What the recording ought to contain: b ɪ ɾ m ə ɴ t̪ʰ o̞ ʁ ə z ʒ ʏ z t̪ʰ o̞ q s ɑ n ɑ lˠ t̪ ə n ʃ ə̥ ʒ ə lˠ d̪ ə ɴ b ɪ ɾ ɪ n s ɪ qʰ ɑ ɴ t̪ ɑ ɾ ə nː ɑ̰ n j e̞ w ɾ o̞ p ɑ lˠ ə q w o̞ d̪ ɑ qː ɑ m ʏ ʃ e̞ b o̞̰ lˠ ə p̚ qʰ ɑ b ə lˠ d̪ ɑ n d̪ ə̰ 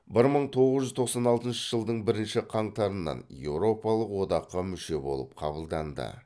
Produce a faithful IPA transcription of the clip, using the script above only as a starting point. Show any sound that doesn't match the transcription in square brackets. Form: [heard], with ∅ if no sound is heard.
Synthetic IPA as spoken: b ɪ ɾ m ə ɴ t̪ʰ o̞ ʁ ə z ʒ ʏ z t̪ʰ o̞ q s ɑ n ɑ lˠ t̪ ə n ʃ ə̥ ʒ ə lˠ d̪ ə ɴ b ɪ ɾ ɪ n [ʃ] ɪ qʰ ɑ ɴ t̪ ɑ ɾ ə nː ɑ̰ n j e̞ w ɾ o̞ p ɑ lˠ ə q w o̞ d̪ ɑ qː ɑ m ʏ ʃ e̞ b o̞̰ lˠ ə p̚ qʰ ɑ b ə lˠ d̪ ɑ n d̪ ə̰